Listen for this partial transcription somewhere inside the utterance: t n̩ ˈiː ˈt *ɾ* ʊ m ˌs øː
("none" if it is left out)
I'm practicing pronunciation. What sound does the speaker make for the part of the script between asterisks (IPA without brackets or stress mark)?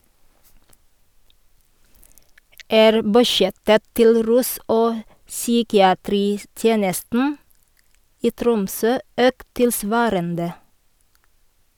ɾ